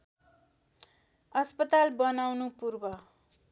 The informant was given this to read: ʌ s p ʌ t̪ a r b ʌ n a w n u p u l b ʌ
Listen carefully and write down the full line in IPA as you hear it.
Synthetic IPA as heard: ʌ s p ʌ t̪ a l b ʌ n a w n u p u r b ʌ